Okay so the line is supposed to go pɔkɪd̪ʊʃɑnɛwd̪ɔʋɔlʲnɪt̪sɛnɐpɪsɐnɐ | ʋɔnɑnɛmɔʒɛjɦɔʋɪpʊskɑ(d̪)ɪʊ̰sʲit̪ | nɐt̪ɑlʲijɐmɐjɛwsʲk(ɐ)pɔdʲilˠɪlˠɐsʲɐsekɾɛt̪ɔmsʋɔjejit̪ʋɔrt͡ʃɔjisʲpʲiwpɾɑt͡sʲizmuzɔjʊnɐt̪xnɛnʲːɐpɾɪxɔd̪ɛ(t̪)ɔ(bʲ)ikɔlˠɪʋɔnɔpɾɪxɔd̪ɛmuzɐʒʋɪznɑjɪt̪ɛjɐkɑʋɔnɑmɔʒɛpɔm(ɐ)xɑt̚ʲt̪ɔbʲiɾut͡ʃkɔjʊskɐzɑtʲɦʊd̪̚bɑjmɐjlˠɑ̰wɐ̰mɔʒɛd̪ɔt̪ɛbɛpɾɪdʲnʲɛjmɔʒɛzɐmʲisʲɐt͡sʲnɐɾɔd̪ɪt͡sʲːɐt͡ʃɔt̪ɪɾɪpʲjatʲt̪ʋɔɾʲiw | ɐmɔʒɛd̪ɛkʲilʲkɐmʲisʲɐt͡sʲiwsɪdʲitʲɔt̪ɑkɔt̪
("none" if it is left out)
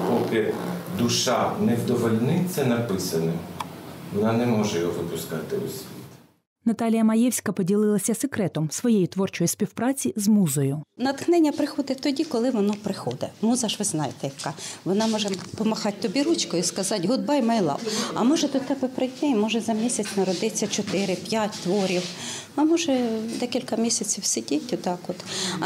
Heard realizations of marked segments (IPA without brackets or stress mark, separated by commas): t̪, ɐ, t̪, dʲ, ɐ